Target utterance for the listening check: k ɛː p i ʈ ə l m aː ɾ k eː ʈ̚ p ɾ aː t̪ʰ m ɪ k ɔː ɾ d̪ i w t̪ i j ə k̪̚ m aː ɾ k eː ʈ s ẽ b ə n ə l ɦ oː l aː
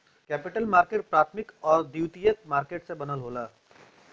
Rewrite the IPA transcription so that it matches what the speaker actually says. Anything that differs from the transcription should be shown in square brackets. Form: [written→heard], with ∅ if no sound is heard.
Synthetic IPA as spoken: k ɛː p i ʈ ə l m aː ɾ k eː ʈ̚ p ɾ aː t̪ʰ m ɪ k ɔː ɾ d̪ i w t̪ i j ə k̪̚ m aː ɾ k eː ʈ s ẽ b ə n ə l ɦ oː l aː